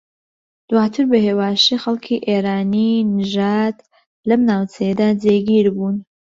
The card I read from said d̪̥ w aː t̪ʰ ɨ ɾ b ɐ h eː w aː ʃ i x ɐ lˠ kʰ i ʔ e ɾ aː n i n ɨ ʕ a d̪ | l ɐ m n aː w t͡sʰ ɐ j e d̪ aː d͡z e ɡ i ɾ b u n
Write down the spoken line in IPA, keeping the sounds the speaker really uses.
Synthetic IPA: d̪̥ w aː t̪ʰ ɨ ɾ b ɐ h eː w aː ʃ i x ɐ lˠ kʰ i ʔ e ɾ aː n i n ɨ ʒ a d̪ | l ɐ m n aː w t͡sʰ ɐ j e d̪ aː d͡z e ɡ i ɾ b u n